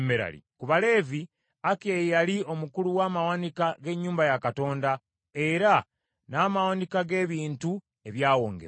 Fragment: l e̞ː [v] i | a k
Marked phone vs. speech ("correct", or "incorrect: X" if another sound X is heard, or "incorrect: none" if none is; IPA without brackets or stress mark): correct